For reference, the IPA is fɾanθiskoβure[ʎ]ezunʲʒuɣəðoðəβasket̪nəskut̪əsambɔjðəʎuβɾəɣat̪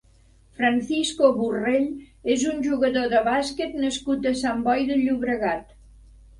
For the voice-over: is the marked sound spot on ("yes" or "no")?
yes